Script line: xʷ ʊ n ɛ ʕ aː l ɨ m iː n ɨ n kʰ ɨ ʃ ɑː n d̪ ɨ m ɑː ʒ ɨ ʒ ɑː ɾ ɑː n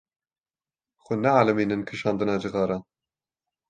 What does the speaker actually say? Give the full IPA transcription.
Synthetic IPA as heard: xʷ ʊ n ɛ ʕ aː l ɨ m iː n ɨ n kʰ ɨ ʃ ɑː n d̪ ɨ n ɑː d͡ʒ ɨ ɣ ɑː ɾ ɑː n